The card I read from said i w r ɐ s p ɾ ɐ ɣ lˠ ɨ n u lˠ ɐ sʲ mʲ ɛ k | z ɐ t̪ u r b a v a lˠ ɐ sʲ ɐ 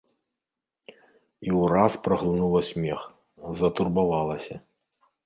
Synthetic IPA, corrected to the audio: i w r a s p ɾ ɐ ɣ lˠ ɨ n u lˠ ɐ sʲ mʲ ɛ x | z ɐ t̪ u r b a v a lˠ ɐ sʲ ɐ